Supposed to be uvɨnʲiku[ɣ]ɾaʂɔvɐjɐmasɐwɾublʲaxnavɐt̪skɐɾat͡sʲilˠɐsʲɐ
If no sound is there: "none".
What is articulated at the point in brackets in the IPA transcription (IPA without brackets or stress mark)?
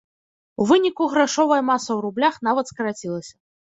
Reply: ɣ